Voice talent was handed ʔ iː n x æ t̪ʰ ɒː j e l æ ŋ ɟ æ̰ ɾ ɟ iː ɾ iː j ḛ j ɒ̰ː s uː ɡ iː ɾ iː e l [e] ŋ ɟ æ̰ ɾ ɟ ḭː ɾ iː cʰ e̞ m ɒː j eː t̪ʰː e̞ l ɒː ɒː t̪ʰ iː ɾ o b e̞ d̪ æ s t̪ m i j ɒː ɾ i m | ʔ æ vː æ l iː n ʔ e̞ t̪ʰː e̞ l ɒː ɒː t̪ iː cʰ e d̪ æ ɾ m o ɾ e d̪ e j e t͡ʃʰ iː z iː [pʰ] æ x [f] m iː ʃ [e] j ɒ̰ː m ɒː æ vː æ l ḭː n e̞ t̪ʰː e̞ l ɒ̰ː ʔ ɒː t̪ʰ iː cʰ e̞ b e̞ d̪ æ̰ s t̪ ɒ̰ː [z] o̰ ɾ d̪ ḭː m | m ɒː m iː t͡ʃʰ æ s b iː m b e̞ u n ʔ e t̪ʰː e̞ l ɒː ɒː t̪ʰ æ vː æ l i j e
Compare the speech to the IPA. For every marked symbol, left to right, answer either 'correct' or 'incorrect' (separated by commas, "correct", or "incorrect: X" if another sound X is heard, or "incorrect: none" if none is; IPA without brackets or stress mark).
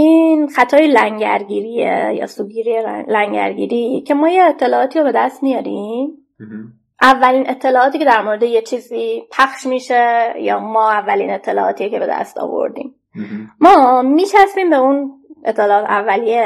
incorrect: æ, correct, incorrect: ʃ, correct, incorrect: v